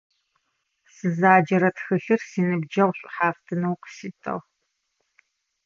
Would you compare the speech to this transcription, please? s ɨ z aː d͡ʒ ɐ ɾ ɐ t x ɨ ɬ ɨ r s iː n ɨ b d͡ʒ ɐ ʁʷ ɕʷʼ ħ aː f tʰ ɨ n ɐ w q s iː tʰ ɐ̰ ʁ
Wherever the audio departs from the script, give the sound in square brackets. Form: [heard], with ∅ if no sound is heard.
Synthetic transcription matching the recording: s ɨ z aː d͡ʒ ɐ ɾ ɐ t x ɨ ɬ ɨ r s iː n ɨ b d͡ʒ ɐ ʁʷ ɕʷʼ ħ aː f tʰ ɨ n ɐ w q s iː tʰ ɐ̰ ʁ